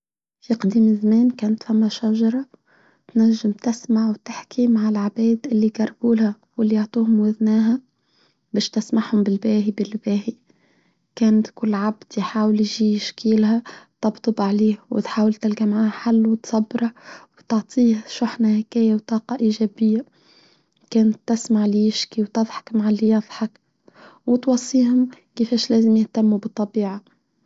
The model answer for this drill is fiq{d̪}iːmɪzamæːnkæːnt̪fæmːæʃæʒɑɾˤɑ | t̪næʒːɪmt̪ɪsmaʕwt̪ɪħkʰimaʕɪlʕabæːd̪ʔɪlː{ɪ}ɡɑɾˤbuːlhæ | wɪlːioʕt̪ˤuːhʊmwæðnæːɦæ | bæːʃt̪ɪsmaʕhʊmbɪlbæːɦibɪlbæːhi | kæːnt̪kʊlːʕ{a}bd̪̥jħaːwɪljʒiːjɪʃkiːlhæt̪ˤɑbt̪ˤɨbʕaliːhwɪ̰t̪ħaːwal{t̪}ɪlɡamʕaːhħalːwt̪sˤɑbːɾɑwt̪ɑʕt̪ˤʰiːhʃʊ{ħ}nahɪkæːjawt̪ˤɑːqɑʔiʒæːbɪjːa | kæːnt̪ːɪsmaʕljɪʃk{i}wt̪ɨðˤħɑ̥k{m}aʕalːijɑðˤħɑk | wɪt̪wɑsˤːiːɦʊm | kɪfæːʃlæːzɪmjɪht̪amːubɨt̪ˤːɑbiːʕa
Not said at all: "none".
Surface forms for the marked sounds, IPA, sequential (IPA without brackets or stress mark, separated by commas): d̪, i, a, t̪, ħ, i, m